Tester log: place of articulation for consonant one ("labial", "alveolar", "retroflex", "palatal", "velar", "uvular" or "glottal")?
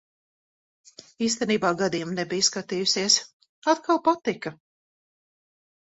alveolar